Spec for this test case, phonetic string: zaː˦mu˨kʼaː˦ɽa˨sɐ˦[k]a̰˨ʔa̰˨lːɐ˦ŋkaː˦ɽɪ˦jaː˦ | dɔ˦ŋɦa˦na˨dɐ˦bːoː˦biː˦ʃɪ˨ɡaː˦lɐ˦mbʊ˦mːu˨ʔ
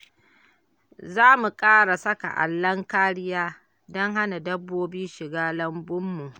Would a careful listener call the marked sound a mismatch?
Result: no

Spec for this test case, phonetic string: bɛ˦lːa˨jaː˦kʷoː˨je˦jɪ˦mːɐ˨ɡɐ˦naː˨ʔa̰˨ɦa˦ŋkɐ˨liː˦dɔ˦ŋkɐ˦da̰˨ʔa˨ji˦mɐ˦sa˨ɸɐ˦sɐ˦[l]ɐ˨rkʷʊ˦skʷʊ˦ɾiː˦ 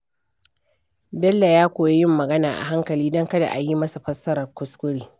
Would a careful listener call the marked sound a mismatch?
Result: yes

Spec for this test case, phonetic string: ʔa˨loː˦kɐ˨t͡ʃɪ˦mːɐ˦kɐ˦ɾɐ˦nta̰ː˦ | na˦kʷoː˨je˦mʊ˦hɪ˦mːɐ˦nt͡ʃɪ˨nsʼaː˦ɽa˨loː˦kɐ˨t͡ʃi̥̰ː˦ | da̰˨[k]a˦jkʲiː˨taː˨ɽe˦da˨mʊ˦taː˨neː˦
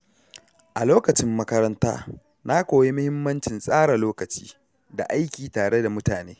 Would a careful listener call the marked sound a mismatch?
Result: yes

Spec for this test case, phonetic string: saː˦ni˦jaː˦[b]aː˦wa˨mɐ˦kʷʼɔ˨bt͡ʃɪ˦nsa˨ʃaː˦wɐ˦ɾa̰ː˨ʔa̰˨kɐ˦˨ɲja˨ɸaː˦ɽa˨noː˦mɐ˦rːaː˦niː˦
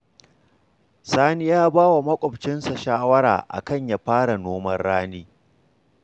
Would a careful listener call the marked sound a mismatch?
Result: no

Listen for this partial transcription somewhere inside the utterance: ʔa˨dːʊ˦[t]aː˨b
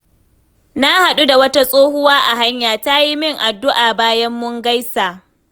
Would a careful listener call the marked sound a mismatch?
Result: yes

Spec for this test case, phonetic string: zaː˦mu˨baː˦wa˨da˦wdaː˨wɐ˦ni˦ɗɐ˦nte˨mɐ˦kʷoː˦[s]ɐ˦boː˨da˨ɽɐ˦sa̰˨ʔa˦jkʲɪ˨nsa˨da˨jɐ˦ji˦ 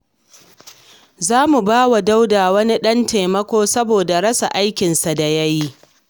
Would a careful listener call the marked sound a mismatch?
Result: no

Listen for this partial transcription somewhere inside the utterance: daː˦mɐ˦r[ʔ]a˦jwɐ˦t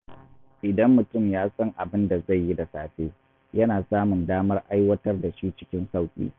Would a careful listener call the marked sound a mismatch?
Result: no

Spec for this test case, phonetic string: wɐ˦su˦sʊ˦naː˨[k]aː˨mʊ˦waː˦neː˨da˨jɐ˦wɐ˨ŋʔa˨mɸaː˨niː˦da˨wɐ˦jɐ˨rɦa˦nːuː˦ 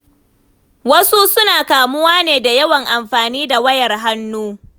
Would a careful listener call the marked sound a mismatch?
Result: no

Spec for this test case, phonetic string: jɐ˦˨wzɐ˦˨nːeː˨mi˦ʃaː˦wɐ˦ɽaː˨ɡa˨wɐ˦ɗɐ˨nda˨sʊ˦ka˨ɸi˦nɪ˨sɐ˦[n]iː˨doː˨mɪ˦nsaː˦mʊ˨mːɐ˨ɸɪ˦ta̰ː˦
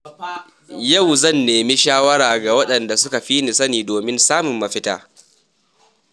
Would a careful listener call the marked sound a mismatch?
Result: no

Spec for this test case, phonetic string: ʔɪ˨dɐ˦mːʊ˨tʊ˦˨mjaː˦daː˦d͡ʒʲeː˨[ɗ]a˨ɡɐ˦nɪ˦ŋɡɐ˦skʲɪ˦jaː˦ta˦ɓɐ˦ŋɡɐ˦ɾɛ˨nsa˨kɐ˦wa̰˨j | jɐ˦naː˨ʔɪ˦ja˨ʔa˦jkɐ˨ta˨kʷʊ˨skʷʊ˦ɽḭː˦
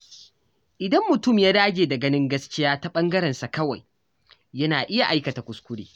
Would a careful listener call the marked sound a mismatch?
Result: yes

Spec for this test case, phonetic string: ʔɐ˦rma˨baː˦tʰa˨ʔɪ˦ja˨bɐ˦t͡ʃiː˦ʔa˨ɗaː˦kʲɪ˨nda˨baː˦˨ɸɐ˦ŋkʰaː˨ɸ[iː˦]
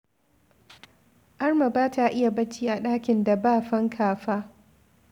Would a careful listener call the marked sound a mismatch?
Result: yes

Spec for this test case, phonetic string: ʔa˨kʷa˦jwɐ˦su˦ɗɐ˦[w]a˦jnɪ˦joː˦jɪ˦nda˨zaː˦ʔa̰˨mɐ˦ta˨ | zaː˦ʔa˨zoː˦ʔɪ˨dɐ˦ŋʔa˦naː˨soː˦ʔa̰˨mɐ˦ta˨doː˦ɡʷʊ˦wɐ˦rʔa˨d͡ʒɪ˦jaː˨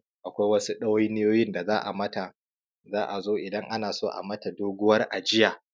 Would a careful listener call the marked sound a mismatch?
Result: no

